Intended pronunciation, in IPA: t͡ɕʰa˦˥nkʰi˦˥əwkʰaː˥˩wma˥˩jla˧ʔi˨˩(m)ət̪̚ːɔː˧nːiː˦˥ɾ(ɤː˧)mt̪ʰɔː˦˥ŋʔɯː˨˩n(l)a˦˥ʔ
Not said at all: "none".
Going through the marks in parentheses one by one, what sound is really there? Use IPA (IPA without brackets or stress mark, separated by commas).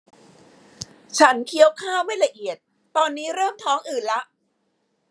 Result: none, ɤː˥˩, l